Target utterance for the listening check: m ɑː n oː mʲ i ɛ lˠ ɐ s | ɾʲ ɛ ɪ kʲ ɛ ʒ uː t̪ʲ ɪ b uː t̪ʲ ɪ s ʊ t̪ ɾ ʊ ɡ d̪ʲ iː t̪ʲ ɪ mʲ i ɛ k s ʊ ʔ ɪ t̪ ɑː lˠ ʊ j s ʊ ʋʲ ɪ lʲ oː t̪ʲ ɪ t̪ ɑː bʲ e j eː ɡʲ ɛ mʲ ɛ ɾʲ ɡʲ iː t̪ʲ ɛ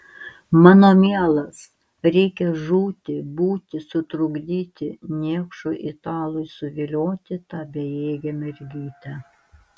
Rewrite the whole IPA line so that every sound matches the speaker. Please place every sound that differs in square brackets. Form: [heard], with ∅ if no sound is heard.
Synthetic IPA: m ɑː n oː mʲ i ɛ lˠ ɐ s | ɾʲ ɛ ɪ kʲ ɛ ʒ uː t̪ʲ ɪ b uː t̪ʲ ɪ s ʊ t̪ ɾ ʊ ɡ d̪ʲ iː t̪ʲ ɪ [nʲ] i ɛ k [ʃ] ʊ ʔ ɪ t̪ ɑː lˠ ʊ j s ʊ ʋʲ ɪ lʲ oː t̪ʲ ɪ t̪ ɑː bʲ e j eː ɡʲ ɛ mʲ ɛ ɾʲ ɡʲ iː t̪ʲ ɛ